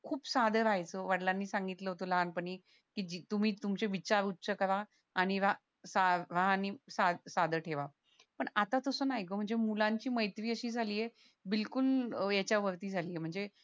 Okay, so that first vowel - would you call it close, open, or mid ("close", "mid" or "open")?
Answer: close